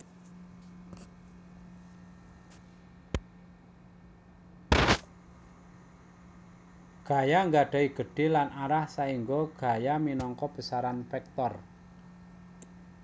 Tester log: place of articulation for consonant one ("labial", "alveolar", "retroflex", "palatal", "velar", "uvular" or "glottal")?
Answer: velar